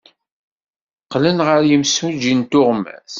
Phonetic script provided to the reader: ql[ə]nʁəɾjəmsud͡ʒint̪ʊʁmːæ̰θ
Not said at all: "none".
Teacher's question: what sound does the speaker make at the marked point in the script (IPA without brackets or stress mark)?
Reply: ə